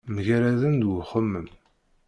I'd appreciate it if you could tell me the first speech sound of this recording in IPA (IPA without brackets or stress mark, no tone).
m